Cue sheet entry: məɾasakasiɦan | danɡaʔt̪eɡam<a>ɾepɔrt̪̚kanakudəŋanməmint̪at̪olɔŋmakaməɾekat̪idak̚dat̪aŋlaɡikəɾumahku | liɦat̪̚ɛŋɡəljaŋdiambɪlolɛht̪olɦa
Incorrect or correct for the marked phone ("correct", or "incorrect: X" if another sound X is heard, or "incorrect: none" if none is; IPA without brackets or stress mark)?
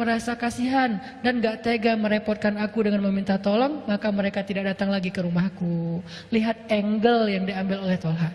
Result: incorrect: ə